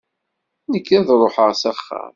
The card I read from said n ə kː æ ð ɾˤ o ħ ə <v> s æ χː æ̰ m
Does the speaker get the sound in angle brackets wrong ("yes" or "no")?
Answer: yes